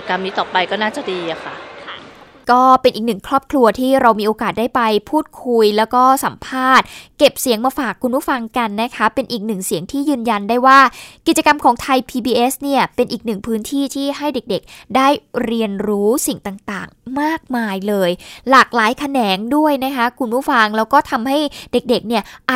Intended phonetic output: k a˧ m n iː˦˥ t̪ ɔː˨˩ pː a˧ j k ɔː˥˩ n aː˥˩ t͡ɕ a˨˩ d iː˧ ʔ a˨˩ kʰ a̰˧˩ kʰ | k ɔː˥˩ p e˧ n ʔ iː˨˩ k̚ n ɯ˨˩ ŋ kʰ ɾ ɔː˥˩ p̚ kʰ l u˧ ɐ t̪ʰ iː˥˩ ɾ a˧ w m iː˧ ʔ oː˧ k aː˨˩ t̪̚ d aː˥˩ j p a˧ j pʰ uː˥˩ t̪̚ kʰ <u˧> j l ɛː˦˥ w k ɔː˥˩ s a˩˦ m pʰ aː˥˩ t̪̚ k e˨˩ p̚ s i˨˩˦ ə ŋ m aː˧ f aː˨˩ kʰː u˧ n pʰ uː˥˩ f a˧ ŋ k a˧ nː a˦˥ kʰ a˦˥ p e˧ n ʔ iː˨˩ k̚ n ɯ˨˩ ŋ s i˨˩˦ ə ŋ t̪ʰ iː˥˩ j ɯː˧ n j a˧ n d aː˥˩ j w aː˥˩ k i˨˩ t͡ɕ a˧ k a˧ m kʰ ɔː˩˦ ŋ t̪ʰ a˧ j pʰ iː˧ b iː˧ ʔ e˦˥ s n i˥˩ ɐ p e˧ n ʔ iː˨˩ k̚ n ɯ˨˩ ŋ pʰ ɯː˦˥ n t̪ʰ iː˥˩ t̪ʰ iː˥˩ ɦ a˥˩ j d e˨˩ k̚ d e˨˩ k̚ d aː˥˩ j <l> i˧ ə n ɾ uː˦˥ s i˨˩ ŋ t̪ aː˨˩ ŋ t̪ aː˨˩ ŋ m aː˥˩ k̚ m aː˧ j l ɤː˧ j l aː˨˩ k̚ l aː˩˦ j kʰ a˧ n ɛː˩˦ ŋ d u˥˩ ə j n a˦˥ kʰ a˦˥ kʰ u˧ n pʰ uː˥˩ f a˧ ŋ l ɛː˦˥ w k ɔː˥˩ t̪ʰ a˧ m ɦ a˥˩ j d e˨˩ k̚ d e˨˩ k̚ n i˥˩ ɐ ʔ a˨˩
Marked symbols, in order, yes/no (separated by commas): yes, no